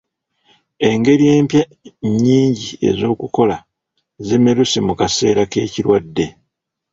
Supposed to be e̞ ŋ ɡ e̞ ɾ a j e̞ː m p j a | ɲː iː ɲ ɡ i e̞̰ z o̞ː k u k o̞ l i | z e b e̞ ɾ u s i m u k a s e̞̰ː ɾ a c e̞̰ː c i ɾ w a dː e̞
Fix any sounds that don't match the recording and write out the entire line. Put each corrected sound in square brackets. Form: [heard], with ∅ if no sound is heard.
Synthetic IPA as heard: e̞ ŋ ɡ e̞ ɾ [i] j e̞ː m p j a | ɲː iː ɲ [ɟ] i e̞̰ z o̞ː k u k o̞ l [a] | z e [m] e̞ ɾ u s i m u k a s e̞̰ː ɾ a [k] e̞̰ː c i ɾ w a dː e̞